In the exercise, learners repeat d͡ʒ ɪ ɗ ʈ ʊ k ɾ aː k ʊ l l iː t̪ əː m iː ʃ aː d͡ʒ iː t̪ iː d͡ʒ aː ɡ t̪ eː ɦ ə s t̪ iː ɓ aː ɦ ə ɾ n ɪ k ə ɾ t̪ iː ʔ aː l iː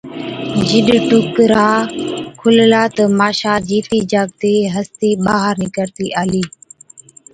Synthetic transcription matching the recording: d͡ʒ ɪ ɗ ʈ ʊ k ɾ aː kʰ ʊ l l aː t̪ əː m aː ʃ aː d͡ʒ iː t̪ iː d͡ʒ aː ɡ t̪ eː ɦ ə s t̪ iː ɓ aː ɦ ə ɾ n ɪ k ə ɾ t̪ iː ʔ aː l iː